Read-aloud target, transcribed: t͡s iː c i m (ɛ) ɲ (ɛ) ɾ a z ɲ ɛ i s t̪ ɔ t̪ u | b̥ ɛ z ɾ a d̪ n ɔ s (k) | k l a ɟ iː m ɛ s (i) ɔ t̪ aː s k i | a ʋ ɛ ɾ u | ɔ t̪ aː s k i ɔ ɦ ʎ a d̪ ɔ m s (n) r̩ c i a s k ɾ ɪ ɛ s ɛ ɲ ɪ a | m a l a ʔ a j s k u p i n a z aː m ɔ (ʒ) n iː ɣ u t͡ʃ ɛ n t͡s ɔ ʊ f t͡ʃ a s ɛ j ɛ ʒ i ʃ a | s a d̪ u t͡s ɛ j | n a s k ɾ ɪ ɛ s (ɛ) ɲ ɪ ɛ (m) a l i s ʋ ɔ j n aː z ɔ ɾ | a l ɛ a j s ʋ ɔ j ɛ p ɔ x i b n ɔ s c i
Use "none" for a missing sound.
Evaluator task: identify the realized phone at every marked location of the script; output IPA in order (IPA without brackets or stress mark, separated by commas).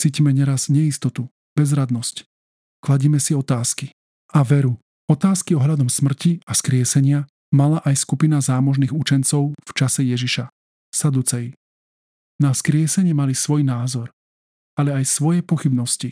ɛ, ɛ, c, i, m, ʒ, ɛ, m